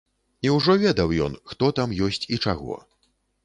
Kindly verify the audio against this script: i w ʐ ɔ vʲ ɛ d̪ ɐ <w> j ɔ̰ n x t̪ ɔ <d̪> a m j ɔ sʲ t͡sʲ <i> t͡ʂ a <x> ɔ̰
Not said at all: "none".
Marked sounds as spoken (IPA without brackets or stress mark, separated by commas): w, t̪, i, ɣ